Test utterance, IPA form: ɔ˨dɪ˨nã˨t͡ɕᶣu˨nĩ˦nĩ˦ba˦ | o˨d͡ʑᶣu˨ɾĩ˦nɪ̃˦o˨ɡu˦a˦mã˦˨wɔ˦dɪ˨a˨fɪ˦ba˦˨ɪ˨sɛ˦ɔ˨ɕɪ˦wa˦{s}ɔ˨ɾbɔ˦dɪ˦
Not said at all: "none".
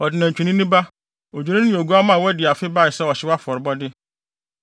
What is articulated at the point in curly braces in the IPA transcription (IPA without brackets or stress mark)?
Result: f